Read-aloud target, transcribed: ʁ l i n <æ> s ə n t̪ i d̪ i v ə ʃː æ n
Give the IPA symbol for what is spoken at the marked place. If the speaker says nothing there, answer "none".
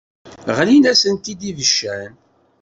æ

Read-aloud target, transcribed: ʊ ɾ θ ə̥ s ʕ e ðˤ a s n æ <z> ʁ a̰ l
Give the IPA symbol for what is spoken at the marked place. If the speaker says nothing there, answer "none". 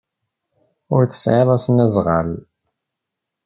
z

